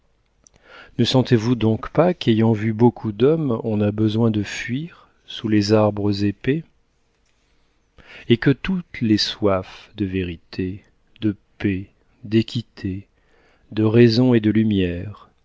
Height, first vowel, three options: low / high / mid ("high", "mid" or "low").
mid